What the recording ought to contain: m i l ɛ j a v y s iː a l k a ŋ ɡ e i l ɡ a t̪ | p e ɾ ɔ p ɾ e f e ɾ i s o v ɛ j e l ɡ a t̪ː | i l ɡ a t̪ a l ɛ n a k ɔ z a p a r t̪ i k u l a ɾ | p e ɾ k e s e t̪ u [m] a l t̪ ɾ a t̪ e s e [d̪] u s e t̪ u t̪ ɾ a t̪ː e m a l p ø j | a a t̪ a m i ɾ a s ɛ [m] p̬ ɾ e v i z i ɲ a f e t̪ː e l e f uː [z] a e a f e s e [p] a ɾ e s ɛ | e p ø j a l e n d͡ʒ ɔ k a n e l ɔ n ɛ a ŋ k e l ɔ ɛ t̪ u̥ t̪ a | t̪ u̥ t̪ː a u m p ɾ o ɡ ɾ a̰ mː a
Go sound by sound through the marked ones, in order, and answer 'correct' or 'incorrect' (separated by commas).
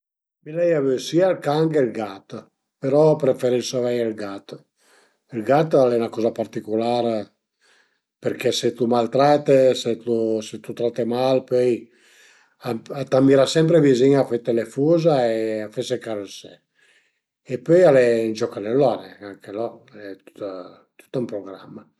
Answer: correct, incorrect, correct, correct, incorrect